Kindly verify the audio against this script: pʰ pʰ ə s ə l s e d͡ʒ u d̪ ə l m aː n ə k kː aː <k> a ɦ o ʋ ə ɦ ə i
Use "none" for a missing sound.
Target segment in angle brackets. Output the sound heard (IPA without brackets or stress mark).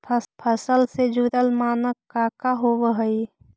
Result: k